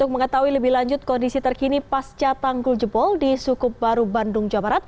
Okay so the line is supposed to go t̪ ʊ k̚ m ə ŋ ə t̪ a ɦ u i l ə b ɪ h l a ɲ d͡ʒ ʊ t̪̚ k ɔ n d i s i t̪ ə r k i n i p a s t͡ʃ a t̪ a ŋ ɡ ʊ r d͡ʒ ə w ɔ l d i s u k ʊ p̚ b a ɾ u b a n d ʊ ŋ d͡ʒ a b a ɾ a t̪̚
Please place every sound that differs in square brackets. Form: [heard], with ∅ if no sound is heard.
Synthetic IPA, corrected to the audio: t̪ ʊ k̚ m ə ŋ ə t̪ a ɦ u i l ə b ɪ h l a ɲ d͡ʒ ʊ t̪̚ k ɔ n d i s i t̪ ə r k i n i p a s t͡ʃ a t̪ a ŋ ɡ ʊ [l] d͡ʒ ə [b] ɔ l d i s u k ʊ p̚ b a ɾ u b a n d ʊ ŋ d͡ʒ a b a ɾ a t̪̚

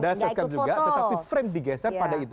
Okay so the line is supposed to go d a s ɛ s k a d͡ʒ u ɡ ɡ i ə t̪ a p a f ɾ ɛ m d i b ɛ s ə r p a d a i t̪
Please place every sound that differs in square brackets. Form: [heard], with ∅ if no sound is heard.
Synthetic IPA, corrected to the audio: d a s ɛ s k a d͡ʒ u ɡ ɡ [a] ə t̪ a p [i] f ɾ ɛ m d i [ɡ] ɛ s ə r p a d a i t̪

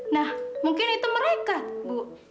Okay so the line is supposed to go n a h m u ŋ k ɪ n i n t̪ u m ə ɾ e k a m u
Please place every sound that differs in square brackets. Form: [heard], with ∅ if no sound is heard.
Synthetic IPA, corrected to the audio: n a h m u ŋ k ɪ n i [∅] t̪ u m ə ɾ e k a [b] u

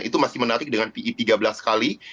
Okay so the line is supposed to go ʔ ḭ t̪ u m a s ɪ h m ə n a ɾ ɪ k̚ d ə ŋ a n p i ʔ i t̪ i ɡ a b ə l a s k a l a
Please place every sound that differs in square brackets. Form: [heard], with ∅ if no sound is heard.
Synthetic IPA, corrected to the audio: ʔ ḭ t̪ u m a s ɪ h m ə n a ɾ ɪ k̚ d ə ŋ a n p i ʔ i t̪ i ɡ a b ə l a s k a l [i]

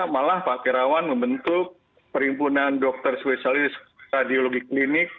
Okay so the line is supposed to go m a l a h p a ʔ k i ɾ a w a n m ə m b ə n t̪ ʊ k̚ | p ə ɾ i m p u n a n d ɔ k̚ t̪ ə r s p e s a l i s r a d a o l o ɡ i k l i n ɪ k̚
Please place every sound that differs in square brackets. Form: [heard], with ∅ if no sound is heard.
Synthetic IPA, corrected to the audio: m a l a h p a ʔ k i ɾ a w a n m ə m b ə n t̪ ʊ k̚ | p ə ɾ i m p u n a n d ɔ k̚ t̪ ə r s p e s a l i s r a d [i] o l o ɡ i k l i n ɪ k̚

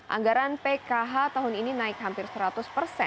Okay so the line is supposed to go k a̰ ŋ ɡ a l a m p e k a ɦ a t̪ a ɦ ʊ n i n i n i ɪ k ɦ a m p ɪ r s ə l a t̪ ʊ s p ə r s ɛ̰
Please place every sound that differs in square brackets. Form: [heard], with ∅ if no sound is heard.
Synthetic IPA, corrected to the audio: [ʔ] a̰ ŋ ɡ a [ɾ] a [n] p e k a ɦ a t̪ a ɦ ʊ n i n i n [a] ɪ k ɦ a m p ɪ r s ə [ɾ] a t̪ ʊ s p ə r s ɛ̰

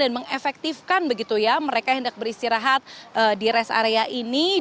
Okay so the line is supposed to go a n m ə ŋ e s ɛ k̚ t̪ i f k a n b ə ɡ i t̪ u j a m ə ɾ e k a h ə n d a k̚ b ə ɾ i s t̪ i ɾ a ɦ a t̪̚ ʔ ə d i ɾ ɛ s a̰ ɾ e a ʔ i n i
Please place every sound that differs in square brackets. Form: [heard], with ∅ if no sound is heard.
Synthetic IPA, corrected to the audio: a n m ə ŋ e [f] ɛ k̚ t̪ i f k a n b ə ɡ i t̪ u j a m ə ɾ e k a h ə n d a k̚ b ə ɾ i s t̪ i ɾ a ɦ a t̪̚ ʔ ə d i ɾ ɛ s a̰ ɾ e a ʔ i n i

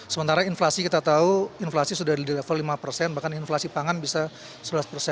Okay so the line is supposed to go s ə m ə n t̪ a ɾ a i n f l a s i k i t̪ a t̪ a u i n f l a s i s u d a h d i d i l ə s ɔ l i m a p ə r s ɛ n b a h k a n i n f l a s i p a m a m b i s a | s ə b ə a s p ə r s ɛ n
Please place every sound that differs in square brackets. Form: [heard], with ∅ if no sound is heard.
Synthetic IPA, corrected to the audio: s ə m ə n t̪ a ɾ a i n f l a s i k i t̪ a t̪ a u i n f l a s i s u d a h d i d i l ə [f] ɔ l i m a p ə r s ɛ n b a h k a n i n f l a s i p a [ŋ] a [n] b i s a | s ə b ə a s p ə r s ɛ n

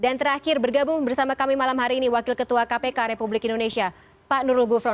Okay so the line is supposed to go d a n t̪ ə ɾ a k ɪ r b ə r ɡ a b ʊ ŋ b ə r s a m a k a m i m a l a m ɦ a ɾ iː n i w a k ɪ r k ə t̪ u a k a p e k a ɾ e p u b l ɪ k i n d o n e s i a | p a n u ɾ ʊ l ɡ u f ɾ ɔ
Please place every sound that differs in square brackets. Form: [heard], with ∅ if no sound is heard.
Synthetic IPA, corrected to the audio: d a n t̪ ə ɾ a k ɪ r b ə r ɡ a b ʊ ŋ b ə r s a m a k a m i m a l a m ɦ a ɾ iː n i w a k ɪ [l] k ə t̪ u a k a p e k a ɾ e p u b l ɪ k i n d o n e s i a | p a n u ɾ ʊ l ɡ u f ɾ ɔ

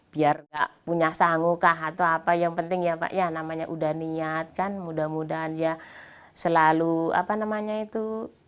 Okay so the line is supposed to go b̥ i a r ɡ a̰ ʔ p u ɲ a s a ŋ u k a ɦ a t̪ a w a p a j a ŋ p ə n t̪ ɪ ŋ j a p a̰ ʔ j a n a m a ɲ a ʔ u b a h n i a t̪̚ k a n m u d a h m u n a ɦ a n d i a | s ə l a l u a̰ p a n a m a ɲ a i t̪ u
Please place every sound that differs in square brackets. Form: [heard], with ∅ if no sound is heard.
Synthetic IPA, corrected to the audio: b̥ i a r ɡ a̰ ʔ p u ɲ a s a ŋ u k a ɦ a t̪ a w a p a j a ŋ p ə n t̪ ɪ ŋ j a p a̰ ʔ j a n a m a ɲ a ʔ u [d] a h n i a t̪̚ k a n m u d a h m u [d] a ɦ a n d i a | s ə l a l u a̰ p a n a m a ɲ a i t̪ u

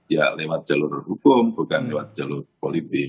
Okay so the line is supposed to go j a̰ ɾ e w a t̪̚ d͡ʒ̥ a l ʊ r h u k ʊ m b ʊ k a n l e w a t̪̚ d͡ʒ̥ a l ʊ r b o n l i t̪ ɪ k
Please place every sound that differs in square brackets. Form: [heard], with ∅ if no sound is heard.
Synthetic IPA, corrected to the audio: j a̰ [l] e w a t̪̚ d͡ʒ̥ a l ʊ r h u k ʊ m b [u] k a n l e w a t̪̚ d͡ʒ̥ a l ʊ r [p] o [∅] l i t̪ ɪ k

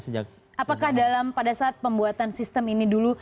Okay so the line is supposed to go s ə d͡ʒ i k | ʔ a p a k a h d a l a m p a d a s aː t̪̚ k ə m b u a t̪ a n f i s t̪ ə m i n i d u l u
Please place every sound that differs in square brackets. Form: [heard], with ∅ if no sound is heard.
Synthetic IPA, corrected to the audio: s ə d͡ʒ [a] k | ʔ a p a k a h d a l a m p a d a s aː t̪̚ [p] ə m b u a t̪ a n [s] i s t̪ ə m i n i d u l u

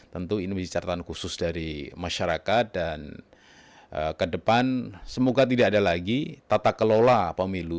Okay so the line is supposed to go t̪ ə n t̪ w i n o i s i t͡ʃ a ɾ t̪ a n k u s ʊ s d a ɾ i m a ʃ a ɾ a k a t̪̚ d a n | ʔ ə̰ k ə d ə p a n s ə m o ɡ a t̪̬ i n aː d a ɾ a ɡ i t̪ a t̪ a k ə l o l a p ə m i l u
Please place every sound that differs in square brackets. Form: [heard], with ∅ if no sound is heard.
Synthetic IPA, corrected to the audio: t̪ ə n t̪ [u] i n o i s i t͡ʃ a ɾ t̪ a n k u s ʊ s d a ɾ i m a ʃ a ɾ a k a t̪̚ d a n | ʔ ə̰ k ə d ə p a n s ə m o ɡ a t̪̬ i [d] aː d a [l] a ɡ i t̪ a t̪ a k ə l o l a p ə m i l u

